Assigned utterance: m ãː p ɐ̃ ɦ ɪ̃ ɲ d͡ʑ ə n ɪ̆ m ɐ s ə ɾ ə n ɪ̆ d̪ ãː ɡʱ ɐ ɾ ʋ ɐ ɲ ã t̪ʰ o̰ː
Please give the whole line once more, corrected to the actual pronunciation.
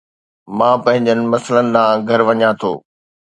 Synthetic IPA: m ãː p ɐ̃ ɦ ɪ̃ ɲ d͡ʑ ə n ɪ̆ m ɐ s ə l ə n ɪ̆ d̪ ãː ɡʱ ɐ ɾ ʋ ɐ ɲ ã t̪ʰ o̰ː